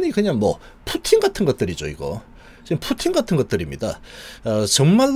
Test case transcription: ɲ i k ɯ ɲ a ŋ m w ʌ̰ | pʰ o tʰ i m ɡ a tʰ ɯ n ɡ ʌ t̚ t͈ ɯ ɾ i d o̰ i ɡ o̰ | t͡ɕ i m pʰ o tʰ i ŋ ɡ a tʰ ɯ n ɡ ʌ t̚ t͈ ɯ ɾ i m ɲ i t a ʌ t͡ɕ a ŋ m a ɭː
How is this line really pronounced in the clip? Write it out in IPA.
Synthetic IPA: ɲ i k ɯ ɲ a ŋ m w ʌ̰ | pʰ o tʰ i ŋ ɡ a tʰ ɯ n ɡ ʌ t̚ t͈ ɯ ɾ i d͡ʑ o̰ i ɡ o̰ | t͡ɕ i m pʰ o tʰ i ŋ ɡ a tʰ ɯ n ɡ ʌ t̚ t͈ ɯ ɾ i m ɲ i d a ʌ t͡ɕ ʌ ŋ m a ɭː